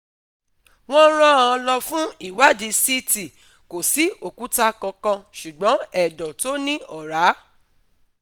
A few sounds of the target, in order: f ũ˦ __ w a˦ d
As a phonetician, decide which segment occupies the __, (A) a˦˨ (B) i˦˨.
B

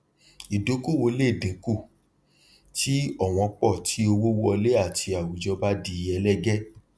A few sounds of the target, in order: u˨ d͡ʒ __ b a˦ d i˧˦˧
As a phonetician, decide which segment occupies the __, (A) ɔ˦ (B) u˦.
A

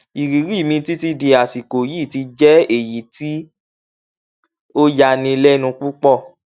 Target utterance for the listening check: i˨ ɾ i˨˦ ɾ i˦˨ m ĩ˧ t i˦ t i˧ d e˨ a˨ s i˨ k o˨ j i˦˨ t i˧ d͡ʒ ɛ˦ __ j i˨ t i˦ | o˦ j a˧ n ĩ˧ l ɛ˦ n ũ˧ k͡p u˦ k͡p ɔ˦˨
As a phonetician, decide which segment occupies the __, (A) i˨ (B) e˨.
B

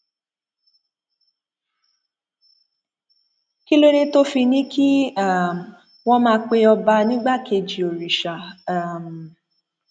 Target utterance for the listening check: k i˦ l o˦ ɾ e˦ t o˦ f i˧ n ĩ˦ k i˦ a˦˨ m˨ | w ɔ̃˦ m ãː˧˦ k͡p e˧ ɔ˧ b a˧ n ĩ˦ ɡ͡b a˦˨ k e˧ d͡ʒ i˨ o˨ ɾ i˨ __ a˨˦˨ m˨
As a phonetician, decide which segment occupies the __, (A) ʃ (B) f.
A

